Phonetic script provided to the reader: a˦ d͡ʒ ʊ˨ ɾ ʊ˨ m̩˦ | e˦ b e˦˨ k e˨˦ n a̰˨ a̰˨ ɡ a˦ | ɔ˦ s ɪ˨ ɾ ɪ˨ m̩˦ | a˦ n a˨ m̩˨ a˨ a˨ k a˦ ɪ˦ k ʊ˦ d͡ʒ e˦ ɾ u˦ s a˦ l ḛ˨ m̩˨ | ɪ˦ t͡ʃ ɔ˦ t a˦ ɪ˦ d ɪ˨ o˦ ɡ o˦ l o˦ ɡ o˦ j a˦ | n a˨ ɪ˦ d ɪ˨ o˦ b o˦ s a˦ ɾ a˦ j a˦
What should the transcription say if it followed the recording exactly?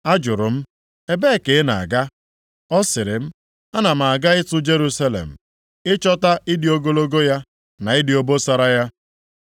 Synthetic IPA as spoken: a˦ d͡ʒ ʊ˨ ɾ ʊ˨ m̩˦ | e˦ b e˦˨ k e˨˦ n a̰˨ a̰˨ ɡ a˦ | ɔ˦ s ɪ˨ ɾ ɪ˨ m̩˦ | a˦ n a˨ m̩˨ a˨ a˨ ɡ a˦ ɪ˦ t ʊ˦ d͡ʒ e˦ ɾ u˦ s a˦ l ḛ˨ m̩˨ | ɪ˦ t͡ʃ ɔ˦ t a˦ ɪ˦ d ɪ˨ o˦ ɡ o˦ l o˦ ɡ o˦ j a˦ | n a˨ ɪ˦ d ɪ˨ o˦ b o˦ s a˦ ɾ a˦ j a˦

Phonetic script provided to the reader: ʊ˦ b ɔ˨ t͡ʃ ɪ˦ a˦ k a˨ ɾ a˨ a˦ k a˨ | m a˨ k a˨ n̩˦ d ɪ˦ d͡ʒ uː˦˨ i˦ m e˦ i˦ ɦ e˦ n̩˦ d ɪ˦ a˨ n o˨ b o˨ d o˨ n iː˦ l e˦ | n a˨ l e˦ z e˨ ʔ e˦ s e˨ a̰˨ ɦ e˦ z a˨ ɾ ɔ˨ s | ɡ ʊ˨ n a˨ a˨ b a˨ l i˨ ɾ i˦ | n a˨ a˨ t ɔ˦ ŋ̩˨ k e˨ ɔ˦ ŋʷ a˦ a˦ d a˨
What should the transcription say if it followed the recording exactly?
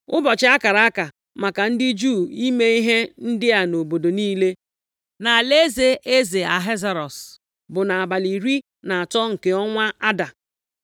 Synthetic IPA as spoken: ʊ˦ b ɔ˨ t͡ʃ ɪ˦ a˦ k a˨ ɾ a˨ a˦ k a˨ | m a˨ k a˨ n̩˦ d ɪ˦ d͡ʒ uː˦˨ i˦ m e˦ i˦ ɦ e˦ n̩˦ d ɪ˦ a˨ n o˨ b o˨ d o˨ n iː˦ l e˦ | n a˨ l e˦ z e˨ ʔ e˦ z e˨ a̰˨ ɦ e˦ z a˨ ɾ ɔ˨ s | b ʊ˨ n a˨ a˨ b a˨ l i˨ ɾ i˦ | n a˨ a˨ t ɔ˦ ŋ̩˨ k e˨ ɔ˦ ŋʷ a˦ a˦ d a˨

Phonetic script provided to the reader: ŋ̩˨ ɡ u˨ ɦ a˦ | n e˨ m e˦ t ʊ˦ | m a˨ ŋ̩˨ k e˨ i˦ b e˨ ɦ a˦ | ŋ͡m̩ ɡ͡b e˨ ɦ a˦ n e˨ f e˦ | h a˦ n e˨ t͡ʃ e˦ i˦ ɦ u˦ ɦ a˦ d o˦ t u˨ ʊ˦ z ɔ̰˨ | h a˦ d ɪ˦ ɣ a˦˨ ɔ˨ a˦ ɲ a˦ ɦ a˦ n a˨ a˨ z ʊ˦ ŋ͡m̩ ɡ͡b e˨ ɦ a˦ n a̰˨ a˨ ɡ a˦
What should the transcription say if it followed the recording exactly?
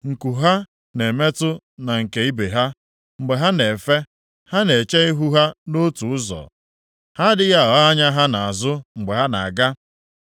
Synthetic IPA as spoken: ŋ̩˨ k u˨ ɦ a˦ | n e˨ m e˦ t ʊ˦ | n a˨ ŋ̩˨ k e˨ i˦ b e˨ ɦ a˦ | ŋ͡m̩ ɡ͡b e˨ ɦ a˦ n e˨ f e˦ | h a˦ n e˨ t͡ʃ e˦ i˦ ɦ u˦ ɦ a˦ n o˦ t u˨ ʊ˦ z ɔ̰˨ | h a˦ d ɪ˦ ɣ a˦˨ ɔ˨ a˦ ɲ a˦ ɦ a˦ n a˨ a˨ z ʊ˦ ŋ͡m̩ ɡ͡b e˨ ɦ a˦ n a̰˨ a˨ ɡ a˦

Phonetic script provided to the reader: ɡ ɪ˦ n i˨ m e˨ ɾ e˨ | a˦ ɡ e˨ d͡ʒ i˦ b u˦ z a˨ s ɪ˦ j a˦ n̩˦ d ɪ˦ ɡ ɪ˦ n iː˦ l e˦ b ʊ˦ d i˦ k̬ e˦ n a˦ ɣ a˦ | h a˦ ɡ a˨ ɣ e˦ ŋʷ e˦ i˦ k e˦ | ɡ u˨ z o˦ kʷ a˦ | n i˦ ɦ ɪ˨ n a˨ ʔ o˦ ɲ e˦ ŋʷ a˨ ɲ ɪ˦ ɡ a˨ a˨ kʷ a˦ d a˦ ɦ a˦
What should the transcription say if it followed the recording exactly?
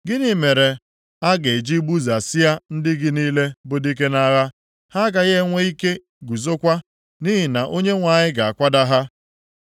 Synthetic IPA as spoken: ɡ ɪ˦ n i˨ m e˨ ɾ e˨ | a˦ ɡ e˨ d͡ʒ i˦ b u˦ z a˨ s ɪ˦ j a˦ n̩˦ d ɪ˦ ɡ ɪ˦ n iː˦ l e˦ b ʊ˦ d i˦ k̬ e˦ n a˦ ɣ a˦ | h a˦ ɡ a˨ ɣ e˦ ŋʷ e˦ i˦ k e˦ | ɡ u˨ z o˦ kʷ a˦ | n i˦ ɦ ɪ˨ n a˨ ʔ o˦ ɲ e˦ ŋʷ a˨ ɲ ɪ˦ ɡ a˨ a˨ kʷ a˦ d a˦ ɦ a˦

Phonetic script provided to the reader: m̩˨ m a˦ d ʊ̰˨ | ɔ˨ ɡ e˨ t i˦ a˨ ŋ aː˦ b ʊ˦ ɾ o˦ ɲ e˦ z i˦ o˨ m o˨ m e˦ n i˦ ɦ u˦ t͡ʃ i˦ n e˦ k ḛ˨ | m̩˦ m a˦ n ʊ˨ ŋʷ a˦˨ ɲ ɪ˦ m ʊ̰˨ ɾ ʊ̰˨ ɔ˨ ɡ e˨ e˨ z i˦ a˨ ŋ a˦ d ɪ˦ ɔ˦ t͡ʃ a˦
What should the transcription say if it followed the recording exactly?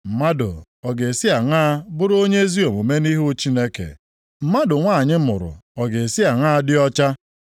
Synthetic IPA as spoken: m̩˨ m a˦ d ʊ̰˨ | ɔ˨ ɡ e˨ s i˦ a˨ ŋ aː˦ b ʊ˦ ɾ o˦ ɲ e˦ z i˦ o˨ m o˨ m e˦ n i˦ ɦ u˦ t͡ʃ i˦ n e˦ k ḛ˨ | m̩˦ m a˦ d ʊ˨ ŋʷ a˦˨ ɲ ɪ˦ m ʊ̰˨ ɾ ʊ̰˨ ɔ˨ ɡ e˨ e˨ s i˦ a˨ ŋ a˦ d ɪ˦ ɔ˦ t͡ʃ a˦

